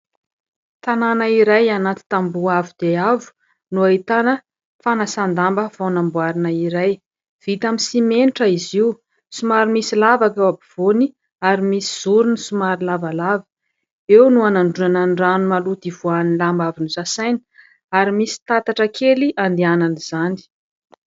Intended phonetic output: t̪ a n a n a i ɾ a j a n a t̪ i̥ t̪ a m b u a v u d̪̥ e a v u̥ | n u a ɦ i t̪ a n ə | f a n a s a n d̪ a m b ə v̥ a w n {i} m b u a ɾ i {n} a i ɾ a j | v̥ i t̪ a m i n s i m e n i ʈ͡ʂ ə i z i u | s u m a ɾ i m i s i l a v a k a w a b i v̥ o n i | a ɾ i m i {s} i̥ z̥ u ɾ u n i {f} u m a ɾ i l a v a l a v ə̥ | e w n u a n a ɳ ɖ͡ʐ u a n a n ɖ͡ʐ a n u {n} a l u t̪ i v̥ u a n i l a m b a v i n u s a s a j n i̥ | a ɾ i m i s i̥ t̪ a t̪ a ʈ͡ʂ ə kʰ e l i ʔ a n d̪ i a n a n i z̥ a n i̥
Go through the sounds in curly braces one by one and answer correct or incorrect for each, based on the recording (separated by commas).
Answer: incorrect, correct, correct, incorrect, incorrect